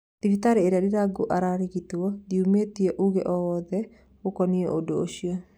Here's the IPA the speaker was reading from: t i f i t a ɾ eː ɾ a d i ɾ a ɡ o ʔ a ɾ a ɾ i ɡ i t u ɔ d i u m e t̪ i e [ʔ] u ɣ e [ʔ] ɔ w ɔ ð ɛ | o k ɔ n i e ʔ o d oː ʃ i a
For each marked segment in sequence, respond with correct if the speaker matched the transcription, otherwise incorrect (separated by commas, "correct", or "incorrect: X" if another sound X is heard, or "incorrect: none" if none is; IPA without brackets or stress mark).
correct, correct